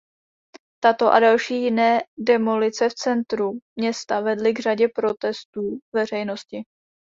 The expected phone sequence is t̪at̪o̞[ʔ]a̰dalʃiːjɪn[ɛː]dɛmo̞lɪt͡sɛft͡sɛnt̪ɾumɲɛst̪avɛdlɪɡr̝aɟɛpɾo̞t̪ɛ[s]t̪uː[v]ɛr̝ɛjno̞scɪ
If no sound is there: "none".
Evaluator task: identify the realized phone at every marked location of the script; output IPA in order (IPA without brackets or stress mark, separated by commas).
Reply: ʔ, ɛː, s, v